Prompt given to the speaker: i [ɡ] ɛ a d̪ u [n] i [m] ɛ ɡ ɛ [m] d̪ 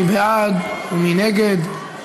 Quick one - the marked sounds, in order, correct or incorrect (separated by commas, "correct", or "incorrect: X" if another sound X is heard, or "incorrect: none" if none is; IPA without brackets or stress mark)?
incorrect: b, incorrect: m, incorrect: n, incorrect: none